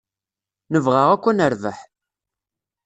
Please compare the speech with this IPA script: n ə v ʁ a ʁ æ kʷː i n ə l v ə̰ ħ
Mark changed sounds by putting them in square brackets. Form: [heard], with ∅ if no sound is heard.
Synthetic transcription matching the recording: n ə v ʁ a ʁ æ kʷː [æ] n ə [ɾ] v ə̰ ħ